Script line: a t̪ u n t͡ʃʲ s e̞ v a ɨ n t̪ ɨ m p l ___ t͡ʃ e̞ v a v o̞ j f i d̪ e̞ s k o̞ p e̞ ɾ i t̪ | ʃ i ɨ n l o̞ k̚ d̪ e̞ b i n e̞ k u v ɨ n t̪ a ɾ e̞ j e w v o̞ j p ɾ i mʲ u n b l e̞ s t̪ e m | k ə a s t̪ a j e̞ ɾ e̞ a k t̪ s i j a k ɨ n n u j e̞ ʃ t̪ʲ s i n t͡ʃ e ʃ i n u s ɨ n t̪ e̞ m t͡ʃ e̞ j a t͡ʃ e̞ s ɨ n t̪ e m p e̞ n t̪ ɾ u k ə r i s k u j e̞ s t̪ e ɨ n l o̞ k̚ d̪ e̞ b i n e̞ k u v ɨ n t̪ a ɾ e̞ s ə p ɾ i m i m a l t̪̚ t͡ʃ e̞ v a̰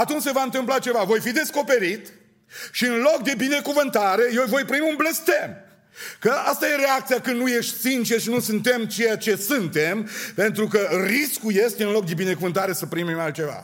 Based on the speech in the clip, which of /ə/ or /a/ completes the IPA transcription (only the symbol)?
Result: a